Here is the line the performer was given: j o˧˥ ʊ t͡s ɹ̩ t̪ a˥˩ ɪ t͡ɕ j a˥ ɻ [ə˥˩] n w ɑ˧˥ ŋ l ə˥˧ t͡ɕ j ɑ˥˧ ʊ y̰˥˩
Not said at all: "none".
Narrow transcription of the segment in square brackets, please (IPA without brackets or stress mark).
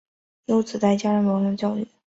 ə˧˥